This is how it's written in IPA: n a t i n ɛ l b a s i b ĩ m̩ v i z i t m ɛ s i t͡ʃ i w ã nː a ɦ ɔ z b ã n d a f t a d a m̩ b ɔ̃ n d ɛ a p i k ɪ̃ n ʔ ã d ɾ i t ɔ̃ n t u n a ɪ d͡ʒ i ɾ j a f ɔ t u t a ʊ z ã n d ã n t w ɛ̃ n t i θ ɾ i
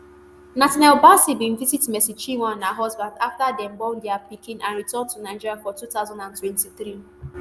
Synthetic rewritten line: n a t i n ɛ l b a s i b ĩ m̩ v i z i t m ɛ s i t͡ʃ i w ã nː a ɦ ɔ z b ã n d a f t a d ɛ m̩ b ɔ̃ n d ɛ a p i k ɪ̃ n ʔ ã n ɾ i t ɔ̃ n t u n a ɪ d͡ʒ i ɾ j a f ɔ t u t a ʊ z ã n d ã n t w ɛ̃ n t i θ ɾ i